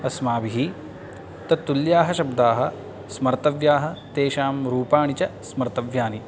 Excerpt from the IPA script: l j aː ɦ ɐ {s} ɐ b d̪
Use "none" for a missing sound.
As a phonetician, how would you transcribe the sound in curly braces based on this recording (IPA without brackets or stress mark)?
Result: ʃ